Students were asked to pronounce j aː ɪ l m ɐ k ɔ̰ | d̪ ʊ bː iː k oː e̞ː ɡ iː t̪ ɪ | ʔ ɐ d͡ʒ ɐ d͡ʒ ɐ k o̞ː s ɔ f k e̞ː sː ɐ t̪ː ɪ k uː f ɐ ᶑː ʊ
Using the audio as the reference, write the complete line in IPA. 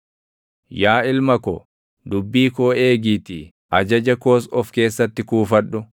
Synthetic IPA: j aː ɪ l m ɐ k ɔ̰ | d̪ ʊ bː iː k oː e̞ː ɡ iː t̪ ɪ | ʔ ɐ d͡ʒ ɐ d͡ʒ ɐ k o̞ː s ɔ f k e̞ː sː ɐ t̪ː ɪ k uː f ɐ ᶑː ʊ